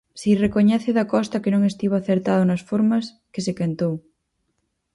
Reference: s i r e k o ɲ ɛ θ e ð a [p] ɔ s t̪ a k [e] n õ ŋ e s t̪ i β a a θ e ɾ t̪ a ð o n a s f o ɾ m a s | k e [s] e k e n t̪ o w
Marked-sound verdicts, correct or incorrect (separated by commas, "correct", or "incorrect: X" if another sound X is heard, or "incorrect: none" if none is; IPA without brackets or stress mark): incorrect: k, correct, correct